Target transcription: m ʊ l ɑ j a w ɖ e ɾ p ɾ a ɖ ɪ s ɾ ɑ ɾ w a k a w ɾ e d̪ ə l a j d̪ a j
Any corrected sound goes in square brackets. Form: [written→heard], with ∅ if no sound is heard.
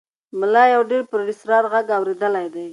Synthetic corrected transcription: m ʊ l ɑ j a w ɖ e ɾ p ɾ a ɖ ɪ s ɾ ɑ ɾ [w→ɣ] a [k→ɡ] a w ɾ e d̪ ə l a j d̪ a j